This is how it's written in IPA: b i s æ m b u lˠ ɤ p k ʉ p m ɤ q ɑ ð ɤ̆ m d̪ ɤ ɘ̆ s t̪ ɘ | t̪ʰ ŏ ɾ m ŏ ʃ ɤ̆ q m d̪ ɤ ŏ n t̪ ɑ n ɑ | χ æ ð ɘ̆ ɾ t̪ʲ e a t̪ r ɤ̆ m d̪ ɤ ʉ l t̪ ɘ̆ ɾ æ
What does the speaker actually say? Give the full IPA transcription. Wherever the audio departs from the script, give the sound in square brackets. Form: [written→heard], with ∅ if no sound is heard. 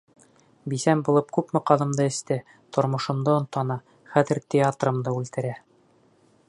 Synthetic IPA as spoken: b i s æ m b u lˠ ɤ p k ʉ p m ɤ q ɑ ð ɤ̆ m d̪ ɤ ɘ̆ s t̪ ɘ | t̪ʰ ŏ ɾ m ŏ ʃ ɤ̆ [q→∅] m d̪ ɤ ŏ n t̪ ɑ n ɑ | χ æ ð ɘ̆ ɾ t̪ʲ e a t̪ r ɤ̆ m d̪ ɤ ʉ l t̪ ɘ̆ ɾ æ